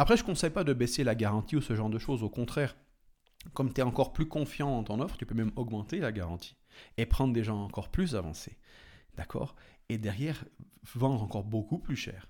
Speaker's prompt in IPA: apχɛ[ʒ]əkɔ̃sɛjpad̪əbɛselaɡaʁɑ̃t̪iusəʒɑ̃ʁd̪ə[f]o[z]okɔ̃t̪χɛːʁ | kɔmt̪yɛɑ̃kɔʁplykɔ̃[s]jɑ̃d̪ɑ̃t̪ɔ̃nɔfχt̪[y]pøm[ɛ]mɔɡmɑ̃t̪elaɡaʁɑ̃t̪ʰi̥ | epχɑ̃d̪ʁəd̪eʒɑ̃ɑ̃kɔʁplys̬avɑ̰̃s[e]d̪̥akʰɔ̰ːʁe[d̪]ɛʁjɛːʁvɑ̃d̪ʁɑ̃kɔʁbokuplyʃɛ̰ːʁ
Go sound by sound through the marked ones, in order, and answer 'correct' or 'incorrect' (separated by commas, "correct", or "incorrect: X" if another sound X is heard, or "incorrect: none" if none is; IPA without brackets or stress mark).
correct, incorrect: ʃ, correct, incorrect: f, correct, correct, correct, correct